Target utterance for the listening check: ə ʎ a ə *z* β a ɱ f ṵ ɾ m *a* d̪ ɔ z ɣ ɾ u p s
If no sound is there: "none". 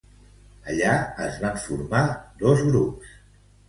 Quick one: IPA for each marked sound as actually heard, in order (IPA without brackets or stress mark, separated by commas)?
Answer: z, a